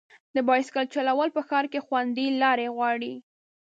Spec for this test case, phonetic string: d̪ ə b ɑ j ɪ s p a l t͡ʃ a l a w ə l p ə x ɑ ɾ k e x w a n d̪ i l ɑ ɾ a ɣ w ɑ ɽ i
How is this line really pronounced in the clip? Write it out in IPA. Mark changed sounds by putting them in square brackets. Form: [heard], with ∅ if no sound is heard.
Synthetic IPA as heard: d̪ ə b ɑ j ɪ s [k] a l t͡ʃ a l a w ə l p ə x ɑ ɾ k e x w a n d̪ i l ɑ ɾ [e] ɣ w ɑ ɽ i